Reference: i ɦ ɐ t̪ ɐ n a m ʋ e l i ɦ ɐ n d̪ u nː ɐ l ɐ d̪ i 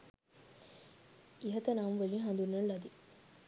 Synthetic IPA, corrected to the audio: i ɦ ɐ t̪ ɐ n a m ʋ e l i ɦ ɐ n d̪ u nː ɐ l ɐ d̪ i